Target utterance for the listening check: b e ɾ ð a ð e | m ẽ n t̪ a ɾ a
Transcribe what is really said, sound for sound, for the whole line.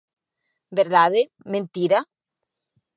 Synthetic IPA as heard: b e ɾ ð a ð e | m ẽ n t̪ i ɾ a